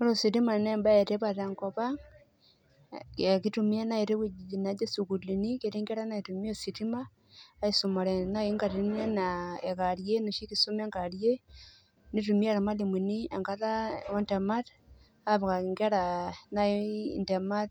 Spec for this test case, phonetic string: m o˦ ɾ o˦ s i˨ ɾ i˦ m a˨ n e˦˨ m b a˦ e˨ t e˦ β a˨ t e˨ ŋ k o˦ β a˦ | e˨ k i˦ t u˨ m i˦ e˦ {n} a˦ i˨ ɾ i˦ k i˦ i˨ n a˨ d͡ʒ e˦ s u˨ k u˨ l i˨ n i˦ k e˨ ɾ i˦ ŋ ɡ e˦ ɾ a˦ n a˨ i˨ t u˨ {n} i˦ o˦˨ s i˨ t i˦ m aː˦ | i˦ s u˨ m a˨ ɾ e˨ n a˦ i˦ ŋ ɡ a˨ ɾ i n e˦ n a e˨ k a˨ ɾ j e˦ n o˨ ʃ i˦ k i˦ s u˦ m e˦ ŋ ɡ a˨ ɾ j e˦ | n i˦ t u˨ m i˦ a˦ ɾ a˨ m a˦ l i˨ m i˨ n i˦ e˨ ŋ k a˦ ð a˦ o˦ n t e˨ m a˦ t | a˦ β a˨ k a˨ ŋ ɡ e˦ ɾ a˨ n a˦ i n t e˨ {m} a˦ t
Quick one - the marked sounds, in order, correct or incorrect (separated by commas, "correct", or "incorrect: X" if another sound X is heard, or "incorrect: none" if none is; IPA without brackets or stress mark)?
correct, incorrect: m, correct